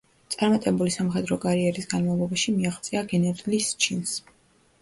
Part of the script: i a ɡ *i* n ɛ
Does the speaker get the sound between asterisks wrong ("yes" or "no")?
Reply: yes